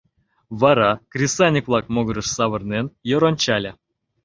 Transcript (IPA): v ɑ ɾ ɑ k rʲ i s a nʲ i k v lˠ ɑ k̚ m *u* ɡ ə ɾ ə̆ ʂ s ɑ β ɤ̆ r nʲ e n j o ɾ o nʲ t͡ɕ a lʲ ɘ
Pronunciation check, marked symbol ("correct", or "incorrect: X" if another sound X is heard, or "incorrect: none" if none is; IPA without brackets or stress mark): incorrect: o